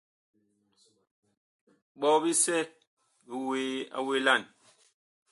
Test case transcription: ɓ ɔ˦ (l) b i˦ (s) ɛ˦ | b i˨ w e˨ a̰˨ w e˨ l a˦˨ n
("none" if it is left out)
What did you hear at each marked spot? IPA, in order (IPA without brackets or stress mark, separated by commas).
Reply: none, s